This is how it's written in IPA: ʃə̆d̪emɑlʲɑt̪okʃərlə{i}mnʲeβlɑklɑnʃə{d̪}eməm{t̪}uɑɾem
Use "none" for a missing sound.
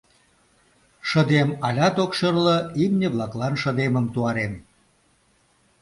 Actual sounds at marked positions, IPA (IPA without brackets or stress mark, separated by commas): i, d̪, t̪